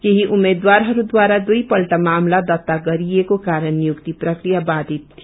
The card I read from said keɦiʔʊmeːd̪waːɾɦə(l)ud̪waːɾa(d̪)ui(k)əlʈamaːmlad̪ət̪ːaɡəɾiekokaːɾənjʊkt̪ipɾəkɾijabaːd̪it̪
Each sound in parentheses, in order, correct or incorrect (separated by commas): incorrect, correct, incorrect